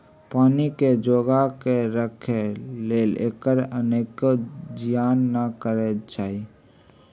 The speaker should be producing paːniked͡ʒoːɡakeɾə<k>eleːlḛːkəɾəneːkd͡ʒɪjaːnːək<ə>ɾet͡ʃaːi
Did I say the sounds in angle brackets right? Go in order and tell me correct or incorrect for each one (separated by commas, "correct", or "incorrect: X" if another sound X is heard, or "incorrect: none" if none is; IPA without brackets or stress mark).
incorrect: kʰ, correct